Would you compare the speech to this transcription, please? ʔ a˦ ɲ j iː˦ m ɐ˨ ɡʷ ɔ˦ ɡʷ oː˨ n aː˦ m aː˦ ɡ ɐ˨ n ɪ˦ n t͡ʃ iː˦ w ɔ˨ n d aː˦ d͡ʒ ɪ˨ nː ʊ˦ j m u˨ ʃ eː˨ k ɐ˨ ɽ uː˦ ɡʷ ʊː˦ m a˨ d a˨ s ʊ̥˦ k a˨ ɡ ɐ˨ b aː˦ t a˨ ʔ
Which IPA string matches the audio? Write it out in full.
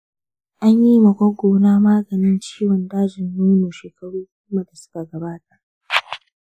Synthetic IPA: ʔ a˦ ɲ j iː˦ m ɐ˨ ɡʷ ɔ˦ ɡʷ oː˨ n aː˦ m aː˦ ɡ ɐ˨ n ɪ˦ n t͡ʃ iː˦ w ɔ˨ n d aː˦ d͡ʒ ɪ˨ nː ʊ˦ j m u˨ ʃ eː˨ k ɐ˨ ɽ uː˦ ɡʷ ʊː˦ m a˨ d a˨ s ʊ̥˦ k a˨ ɡ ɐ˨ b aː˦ t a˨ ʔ